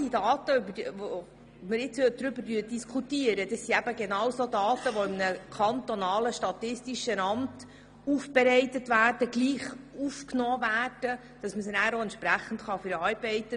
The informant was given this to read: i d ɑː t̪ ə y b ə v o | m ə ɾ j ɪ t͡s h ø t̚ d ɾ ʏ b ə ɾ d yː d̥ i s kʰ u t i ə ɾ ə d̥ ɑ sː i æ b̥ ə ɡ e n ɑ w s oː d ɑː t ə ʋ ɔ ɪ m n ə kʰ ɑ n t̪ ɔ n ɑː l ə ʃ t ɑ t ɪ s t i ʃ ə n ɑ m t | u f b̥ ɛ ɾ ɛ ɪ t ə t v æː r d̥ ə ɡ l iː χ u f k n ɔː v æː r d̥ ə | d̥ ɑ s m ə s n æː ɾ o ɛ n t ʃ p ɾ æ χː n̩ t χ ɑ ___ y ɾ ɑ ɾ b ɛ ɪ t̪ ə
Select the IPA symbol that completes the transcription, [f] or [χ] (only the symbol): f